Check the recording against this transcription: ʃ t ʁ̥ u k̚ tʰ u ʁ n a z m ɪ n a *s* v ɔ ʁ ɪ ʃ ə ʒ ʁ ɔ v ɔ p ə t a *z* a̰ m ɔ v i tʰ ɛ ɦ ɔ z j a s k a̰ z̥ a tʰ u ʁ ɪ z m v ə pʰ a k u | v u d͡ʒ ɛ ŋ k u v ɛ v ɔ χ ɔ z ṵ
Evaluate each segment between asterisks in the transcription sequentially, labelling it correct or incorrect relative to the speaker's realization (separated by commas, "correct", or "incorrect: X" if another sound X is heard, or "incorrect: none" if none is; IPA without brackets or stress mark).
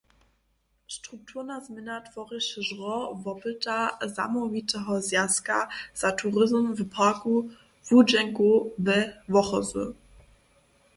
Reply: incorrect: t, correct